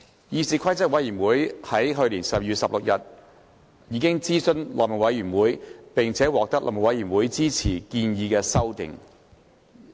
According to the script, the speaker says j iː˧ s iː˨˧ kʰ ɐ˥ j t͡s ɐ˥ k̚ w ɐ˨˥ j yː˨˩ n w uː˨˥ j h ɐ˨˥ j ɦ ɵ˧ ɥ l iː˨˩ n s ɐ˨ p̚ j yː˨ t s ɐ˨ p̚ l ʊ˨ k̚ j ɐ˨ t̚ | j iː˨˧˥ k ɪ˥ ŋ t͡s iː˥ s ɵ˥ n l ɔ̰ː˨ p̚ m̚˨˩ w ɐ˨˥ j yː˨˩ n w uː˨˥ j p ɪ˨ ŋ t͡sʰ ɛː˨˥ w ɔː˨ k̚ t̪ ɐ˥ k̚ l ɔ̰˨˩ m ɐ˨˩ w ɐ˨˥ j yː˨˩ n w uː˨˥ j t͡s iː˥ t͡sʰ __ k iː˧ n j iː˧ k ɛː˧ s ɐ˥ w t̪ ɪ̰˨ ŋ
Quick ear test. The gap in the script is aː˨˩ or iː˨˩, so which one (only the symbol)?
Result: iː˨˩